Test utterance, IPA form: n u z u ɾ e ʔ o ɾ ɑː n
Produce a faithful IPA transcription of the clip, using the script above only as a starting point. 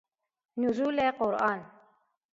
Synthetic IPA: n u z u l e q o ɾ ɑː n

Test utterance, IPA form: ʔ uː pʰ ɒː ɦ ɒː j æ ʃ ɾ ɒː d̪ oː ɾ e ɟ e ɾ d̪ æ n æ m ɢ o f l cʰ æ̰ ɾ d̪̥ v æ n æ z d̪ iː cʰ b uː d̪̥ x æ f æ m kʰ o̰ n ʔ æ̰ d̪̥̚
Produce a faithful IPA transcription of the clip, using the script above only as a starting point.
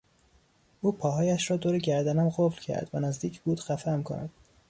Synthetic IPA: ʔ uː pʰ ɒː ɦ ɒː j æ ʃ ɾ ɒː d̪ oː ɾ e ɟ æ ɾ d̪ æ n æ m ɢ o f l cʰ æ̰ ɾ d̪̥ v æ n æ z d̪ iː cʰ b uː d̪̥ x æ f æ m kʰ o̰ n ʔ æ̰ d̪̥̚

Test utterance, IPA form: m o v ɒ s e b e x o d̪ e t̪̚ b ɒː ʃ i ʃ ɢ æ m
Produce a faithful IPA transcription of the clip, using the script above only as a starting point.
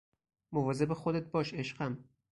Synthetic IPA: m o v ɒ z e b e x o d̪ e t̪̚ b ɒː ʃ e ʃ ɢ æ m

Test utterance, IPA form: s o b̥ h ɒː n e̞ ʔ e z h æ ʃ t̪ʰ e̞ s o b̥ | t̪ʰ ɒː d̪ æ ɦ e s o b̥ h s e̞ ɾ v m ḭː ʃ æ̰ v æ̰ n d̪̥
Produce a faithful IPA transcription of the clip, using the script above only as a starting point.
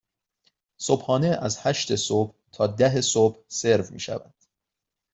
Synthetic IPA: s o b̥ h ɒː n e̞ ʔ æ z h æ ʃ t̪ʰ e̞ s o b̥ | t̪ʰ ɒː d̪ æ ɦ e s o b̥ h s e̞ ɾ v m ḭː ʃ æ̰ v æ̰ n d̪̥

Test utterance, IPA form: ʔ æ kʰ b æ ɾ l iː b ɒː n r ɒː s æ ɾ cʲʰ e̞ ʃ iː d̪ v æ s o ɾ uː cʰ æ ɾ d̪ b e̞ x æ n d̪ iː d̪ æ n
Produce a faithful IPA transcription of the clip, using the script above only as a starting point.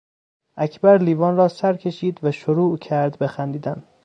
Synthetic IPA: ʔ æ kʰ b æ ɾ l iː v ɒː n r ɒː s æ ɾ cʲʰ e̞ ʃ iː d̪ v æ ʃ o ɾ uː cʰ æ ɾ d̪ b e̞ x æ n d̪ iː d̪ æ n

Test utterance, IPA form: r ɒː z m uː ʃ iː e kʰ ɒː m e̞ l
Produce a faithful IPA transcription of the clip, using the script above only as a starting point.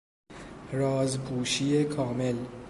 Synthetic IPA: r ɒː z b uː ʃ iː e kʰ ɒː m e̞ l

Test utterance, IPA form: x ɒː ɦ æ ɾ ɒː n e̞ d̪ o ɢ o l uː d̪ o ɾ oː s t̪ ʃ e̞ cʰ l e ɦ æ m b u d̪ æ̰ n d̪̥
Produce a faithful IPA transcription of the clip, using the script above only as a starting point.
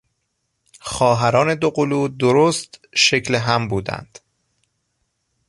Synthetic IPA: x ɒː ɦ æ ɾ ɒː n e̞ d̪ o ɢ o l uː d̪ o ɾ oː s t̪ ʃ e̞ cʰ l e ɦ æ m b uː d̪ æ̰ n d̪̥

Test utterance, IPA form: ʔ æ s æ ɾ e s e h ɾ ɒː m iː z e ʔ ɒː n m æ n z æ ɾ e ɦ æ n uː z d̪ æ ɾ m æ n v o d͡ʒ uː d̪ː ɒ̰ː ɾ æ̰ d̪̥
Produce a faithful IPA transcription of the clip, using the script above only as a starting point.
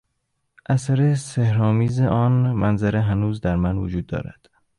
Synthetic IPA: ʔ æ s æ ɾ e s e h ɾ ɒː m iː z e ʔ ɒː n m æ n z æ ɾ e ɦ æ n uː z d̪ æ ɾ m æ n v o d͡ʒ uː d̪ː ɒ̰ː ɾ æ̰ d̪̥

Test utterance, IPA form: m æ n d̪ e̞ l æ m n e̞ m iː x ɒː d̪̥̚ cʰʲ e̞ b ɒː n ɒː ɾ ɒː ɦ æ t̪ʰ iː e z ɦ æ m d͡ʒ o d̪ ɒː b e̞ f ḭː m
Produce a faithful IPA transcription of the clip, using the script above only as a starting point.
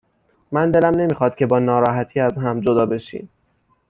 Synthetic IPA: m æ n d̪ e̞ l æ m n e̞ m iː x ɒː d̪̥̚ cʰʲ e̞ b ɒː n ɒː ɾ ɒː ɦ æ t̪ʰ iː æ z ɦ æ m d͡ʒ o d̪ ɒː b e̞ ʃ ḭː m

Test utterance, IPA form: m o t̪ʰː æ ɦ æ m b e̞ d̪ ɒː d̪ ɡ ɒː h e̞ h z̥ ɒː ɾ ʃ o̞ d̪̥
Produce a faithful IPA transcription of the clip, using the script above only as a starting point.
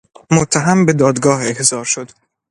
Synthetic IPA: m o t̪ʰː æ ɦ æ m b e̞ d̪ ɒː d̪ ɡ ɒː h e̞ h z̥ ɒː ɾ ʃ o̞ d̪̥

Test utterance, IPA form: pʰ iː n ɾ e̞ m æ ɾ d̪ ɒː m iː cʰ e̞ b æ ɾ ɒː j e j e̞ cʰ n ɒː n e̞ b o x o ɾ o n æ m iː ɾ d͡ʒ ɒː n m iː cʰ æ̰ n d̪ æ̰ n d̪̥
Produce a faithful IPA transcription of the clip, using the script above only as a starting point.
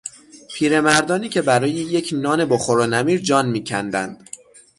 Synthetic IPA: pʰ iː ɾ e̞ m æ ɾ d̪ ɒː n iː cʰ e̞ b æ ɾ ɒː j e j e̞ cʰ n ɒː n e̞ b o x o ɾ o n æ m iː ɾ d͡ʒ ɒː n m iː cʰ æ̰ n d̪ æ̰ n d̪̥

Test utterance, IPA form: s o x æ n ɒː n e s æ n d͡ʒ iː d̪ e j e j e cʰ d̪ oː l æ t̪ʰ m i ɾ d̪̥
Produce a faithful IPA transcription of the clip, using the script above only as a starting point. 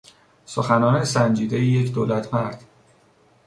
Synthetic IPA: s o x æ n ɒː n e s æ n d͡ʒ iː d̪ e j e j e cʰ d̪ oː l æ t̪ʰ m æ ɾ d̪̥

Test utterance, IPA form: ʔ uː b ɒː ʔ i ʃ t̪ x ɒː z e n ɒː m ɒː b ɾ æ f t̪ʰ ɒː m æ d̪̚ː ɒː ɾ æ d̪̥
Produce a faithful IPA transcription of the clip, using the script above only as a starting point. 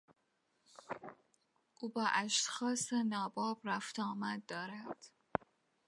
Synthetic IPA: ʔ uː b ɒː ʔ æ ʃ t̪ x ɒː s e n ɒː b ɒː b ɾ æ f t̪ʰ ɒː m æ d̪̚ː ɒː ɾ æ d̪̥

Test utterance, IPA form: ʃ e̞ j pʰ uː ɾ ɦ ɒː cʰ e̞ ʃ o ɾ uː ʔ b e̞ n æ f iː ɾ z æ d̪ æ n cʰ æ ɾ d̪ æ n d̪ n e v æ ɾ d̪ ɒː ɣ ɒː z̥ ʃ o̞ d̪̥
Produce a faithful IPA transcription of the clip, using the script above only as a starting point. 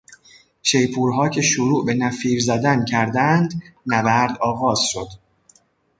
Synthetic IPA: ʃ e̞ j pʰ uː ɾ ɦ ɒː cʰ e̞ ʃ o ɾ uː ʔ b e̞ n æ f iː ɾ z æ d̪ æ n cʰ æ ɾ d̪ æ n d̪ n æ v æ ɾ d̪ ɒː ɣ ɒː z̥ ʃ o̞ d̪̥

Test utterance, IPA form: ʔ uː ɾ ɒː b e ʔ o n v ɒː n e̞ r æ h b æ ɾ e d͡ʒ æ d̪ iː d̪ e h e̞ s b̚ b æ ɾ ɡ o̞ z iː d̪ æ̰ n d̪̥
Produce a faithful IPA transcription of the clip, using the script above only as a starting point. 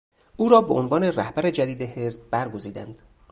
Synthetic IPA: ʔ uː ɾ ɒː b e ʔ o n v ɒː n e̞ r æ h b æ ɾ e d͡ʒ æ d̪ iː d̪ e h e̞ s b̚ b æ ɾ ɡ o̞ z iː d̪ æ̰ n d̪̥

